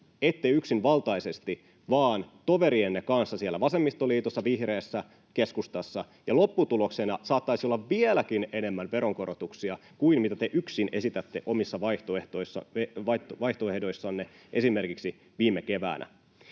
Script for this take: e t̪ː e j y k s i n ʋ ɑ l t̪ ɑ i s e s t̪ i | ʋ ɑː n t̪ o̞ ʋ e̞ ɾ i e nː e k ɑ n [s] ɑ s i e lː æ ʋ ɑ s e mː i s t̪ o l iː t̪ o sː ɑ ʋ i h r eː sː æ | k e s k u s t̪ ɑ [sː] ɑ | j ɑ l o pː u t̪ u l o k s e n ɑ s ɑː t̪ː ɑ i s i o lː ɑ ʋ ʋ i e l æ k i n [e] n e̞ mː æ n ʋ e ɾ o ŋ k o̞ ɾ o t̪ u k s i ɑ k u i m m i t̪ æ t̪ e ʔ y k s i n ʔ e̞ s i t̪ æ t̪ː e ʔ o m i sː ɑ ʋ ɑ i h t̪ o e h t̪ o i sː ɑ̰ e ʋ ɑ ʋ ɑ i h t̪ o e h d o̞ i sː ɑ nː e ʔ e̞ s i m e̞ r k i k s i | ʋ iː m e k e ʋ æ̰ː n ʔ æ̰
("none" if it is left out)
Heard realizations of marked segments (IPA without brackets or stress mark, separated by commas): sː, sː, e